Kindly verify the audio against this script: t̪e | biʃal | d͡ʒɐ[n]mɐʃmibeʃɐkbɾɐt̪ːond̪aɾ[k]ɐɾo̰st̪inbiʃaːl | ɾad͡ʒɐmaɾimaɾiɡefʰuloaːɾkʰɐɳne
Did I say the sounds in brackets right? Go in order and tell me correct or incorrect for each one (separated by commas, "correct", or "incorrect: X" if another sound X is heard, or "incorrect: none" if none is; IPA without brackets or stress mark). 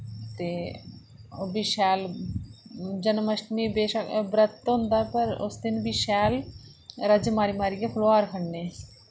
correct, incorrect: p